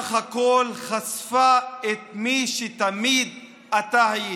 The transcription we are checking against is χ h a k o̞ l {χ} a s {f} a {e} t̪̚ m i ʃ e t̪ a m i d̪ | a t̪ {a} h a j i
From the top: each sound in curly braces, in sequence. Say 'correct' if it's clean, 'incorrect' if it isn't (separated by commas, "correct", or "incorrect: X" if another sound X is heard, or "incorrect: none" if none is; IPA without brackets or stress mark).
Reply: correct, correct, correct, correct